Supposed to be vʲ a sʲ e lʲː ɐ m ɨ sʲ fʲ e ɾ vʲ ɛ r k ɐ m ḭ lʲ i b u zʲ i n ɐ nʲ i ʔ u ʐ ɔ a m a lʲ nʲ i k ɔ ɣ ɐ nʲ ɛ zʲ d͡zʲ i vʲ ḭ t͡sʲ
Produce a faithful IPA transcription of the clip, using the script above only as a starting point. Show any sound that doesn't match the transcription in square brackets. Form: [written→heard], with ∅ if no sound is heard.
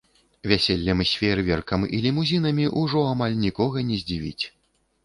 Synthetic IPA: vʲ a sʲ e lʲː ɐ m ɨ sʲ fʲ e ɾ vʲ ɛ r k ɐ m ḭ lʲ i [b→m] u zʲ i n ɐ [nʲ→mʲ] i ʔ u ʐ ɔ a m a lʲ nʲ i k ɔ ɣ ɐ nʲ ɛ zʲ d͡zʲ i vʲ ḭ t͡sʲ